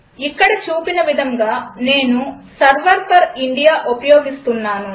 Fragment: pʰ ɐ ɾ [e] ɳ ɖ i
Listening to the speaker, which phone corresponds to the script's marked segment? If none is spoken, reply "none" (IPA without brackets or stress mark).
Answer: i